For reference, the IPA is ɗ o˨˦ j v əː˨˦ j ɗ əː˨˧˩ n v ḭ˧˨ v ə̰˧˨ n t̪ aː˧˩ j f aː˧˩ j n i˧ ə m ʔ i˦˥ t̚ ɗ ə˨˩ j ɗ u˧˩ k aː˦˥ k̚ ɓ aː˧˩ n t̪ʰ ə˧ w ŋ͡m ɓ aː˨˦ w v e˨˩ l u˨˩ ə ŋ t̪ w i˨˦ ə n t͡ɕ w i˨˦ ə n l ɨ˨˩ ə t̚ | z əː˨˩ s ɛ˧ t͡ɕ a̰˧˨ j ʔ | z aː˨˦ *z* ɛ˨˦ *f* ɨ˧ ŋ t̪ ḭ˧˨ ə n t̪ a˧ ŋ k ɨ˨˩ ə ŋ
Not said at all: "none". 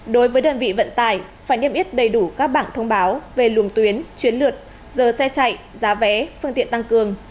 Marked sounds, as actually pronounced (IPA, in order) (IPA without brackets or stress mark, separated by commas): v, f